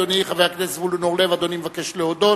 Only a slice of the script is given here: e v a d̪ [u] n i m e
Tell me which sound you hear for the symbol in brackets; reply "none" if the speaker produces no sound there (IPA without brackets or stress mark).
o